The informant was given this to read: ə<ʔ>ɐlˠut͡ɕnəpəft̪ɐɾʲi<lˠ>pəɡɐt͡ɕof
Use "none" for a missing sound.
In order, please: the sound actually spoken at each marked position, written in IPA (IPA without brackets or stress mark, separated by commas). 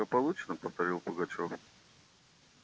p, lˠ